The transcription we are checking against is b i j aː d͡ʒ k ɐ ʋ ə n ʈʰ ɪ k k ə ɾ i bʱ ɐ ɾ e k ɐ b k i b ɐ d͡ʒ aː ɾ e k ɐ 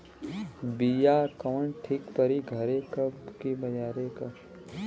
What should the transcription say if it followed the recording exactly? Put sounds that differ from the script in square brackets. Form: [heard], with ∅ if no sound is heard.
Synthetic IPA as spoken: b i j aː [∅] k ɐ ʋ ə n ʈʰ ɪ k [p] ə ɾ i [ɡʱ] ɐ ɾ e k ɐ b k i b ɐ d͡ʒ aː ɾ e k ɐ